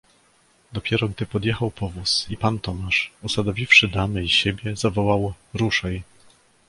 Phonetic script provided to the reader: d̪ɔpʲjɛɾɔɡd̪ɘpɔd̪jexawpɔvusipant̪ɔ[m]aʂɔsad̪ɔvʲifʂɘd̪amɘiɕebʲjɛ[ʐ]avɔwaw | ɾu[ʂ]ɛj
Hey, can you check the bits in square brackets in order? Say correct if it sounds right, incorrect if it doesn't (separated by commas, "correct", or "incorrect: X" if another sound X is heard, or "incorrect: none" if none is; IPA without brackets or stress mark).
correct, incorrect: z, correct